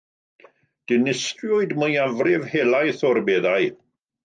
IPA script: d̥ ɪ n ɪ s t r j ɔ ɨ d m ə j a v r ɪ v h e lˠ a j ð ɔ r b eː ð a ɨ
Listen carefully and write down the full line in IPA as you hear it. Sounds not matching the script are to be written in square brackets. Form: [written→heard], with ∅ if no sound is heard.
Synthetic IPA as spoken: d̥ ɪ n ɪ s t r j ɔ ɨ d m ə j a v r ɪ v h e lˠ a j [ð→θ] ɔ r b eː ð a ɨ